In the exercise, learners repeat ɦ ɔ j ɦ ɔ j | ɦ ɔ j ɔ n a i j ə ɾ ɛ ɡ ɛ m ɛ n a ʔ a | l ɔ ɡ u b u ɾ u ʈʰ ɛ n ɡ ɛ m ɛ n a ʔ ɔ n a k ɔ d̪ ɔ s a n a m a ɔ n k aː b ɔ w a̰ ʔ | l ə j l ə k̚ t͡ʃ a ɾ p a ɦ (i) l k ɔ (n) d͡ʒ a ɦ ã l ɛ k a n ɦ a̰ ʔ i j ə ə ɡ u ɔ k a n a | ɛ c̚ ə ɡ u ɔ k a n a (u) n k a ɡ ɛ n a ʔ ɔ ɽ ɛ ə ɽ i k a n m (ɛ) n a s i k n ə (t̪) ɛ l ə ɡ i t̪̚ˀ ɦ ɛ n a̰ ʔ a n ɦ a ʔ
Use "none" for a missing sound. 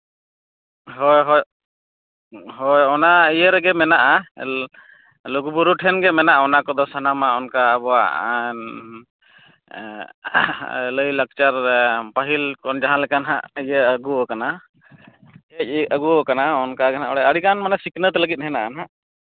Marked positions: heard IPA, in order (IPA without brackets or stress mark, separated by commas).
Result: i, n, ɔ, a, t̪